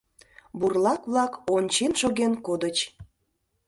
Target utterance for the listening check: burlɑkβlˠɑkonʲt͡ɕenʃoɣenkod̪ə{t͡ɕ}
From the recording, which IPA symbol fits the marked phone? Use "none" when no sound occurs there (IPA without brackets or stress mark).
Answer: t͡ɕ